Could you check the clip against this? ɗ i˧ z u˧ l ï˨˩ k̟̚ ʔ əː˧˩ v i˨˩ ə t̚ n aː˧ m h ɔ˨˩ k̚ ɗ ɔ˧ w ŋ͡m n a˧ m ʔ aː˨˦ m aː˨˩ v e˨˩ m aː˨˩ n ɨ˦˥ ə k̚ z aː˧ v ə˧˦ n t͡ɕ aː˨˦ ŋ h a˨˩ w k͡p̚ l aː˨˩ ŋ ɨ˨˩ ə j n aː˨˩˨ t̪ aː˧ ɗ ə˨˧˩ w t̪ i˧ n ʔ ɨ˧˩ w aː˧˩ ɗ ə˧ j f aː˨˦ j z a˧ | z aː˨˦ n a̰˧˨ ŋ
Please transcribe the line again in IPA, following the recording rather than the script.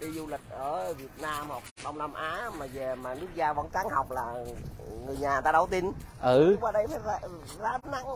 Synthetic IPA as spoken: ɗ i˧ z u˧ l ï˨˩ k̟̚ ʔ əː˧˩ v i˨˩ ə t̚ n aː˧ m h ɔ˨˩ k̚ ɗ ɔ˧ w ŋ͡m n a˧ m ʔ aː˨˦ m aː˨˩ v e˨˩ m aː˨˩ n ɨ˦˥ ə k̚ z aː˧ v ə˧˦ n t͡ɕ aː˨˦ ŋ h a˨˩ w k͡p̚ l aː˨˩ ŋ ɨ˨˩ ə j ɲ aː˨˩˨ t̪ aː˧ ɗ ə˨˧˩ w t̪ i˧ n ʔ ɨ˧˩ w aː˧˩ ɗ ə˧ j f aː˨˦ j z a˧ | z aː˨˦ n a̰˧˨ ŋ

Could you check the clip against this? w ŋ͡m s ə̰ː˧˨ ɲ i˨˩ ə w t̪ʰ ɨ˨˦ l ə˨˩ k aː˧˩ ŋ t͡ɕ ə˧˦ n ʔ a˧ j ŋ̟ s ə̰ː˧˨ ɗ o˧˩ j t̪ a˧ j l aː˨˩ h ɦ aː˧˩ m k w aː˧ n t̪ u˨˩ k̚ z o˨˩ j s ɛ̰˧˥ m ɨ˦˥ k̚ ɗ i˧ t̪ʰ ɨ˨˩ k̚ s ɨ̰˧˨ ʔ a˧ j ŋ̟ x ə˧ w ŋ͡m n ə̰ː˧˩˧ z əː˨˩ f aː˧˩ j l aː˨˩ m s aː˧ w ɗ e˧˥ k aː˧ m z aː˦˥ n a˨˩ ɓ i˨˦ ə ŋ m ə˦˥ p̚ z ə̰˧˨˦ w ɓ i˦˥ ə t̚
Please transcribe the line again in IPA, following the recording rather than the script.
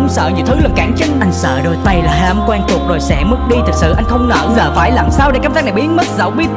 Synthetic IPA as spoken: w ŋ͡m s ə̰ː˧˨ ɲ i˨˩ ə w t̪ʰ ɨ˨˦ l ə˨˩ k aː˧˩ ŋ t͡ɕ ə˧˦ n ʔ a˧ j ŋ̟ s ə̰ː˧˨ ɗ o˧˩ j t̪ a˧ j l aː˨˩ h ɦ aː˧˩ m k w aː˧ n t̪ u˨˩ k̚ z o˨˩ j s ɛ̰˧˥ m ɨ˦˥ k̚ ɗ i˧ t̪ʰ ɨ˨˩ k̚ s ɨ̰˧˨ ʔ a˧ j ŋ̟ x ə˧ w ŋ͡m n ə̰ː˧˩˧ z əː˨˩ f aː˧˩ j l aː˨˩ m s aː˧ w ɗ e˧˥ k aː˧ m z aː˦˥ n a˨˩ ɓ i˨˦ ə n m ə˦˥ t̚ z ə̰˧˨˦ w ɓ i˦˥ ə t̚

